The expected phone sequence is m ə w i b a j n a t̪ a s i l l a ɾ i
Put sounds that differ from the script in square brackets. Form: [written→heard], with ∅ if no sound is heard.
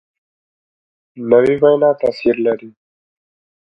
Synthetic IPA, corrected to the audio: [m→n] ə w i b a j n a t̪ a s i [l→ɾ] l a ɾ i